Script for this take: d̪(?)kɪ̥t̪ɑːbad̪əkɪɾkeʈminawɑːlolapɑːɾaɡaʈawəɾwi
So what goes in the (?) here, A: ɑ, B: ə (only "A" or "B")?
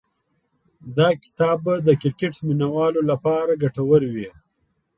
A